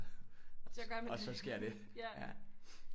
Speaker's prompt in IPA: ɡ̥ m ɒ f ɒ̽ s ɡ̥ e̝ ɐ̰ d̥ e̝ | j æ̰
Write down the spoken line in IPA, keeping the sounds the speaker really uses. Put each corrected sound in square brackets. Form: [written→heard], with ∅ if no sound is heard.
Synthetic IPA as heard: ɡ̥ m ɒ [f→s] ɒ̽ s ɡ̥ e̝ ɐ̰ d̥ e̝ | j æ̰